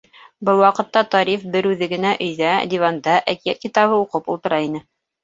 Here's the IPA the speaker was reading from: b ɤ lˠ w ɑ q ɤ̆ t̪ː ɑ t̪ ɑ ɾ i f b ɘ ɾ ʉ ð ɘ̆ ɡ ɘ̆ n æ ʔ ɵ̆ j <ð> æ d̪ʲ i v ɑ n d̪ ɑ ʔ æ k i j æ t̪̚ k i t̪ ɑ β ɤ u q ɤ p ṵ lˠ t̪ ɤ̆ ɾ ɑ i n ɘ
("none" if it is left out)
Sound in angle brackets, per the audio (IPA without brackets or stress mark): ð